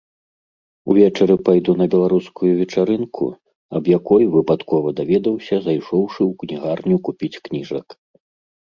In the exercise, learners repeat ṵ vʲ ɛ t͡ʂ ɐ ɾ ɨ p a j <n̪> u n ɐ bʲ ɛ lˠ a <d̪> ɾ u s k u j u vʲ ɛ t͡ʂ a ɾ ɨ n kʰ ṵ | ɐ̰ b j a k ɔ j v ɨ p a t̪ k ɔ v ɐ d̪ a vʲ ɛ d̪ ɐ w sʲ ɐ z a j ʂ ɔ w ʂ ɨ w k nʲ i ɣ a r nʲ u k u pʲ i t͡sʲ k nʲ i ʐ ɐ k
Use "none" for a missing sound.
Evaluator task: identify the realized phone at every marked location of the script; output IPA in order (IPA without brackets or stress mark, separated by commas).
d̪, none